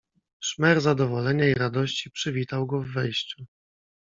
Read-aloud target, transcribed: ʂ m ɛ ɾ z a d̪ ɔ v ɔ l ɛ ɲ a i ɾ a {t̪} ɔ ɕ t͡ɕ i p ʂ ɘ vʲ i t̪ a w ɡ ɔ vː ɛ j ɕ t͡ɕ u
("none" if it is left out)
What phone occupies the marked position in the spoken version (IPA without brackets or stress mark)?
d̪